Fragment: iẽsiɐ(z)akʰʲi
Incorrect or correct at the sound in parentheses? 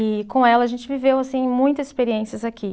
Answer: correct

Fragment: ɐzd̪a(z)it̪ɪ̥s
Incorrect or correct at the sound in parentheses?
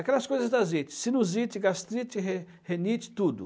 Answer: correct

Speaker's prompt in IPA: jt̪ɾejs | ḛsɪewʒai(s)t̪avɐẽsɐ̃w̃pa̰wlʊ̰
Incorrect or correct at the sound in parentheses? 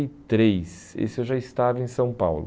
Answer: correct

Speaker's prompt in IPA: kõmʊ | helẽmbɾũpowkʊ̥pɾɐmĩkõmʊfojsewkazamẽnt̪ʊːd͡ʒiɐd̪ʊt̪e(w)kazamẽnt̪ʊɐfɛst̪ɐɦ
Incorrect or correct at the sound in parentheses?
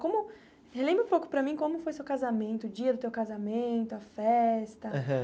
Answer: correct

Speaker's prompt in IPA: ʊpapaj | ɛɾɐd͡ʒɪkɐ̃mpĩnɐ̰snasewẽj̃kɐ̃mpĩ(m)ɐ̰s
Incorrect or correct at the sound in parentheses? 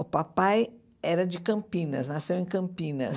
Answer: incorrect: n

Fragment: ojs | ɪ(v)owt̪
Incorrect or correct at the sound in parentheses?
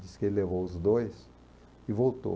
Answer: correct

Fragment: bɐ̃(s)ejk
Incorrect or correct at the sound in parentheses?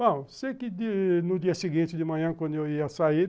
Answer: correct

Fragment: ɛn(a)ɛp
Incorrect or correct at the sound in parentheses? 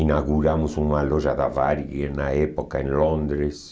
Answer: correct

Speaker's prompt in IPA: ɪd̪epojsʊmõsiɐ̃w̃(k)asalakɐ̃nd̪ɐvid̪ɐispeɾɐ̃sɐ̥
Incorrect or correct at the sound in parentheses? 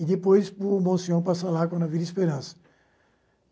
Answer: incorrect: p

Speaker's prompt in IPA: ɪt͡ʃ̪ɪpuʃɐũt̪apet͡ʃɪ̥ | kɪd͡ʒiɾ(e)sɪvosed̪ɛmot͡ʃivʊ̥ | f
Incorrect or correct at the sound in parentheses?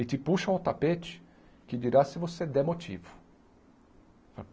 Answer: incorrect: a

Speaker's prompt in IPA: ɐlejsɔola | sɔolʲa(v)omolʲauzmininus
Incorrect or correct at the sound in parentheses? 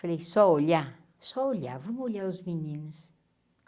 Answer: correct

